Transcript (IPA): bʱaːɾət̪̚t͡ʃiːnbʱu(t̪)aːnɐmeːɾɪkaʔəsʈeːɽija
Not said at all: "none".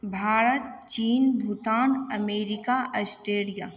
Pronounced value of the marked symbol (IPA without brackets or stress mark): t̪